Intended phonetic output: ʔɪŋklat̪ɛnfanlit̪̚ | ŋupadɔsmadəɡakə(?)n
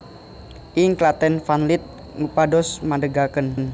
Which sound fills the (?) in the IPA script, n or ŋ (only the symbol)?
n